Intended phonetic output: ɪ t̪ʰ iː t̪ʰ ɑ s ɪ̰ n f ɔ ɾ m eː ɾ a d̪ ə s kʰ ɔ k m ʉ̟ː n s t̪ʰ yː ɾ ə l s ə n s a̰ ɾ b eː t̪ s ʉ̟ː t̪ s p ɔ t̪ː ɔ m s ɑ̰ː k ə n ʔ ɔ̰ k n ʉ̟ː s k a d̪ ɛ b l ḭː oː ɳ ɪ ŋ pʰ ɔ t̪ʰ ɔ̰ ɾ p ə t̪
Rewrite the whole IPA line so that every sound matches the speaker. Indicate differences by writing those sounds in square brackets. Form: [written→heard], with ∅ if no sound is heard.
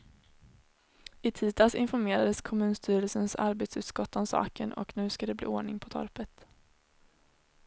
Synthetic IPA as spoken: ɪ t̪ʰ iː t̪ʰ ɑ s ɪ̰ n f ɔ ɾ m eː ɾ a d̪ ə s kʰ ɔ [k→∅] m ʉ̟ː n s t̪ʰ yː ɾ ə l s ə n s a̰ ɾ b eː t̪ s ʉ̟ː t̪ s [p→k] ɔ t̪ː ɔ m s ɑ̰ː k ə n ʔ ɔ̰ k n ʉ̟ː s k a d̪ ɛ b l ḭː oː ɳ ɪ ŋ pʰ ɔ t̪ʰ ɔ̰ ɾ p ə t̪